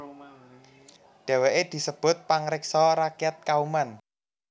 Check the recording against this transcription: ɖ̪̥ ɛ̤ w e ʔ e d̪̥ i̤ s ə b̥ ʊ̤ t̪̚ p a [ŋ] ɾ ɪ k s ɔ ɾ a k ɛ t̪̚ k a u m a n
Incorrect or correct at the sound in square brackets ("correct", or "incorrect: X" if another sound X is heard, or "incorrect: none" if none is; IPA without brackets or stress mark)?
correct